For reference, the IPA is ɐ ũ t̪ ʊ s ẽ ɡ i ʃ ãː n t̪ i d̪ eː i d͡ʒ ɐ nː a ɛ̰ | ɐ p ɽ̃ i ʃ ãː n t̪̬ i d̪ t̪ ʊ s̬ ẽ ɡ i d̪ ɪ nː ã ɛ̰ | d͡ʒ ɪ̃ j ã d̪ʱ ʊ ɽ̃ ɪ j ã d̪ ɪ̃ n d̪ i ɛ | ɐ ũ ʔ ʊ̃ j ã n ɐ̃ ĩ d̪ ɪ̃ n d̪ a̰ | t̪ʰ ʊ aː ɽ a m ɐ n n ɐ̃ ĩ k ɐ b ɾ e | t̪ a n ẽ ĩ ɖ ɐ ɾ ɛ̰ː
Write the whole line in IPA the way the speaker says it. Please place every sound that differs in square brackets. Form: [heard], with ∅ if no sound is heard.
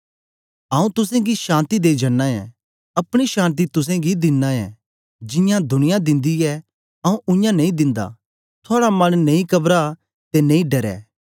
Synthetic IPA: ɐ ũ t̪ ʊ s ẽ ɡ i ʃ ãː n t̪ i d̪ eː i d͡ʒ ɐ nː a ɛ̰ | ɐ p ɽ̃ i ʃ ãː n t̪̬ i [∅] t̪ ʊ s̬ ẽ ɡ i d̪ ɪ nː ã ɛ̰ | d͡ʒ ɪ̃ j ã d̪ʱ ʊ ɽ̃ ɪ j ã d̪ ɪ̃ n d̪ i ɛ | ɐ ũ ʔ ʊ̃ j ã n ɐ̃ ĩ d̪ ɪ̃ n d̪ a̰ | t̪ʰ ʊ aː ɽ a m ɐ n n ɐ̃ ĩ k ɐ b ɾ [a] | t̪ [e] n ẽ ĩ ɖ ɐ ɾ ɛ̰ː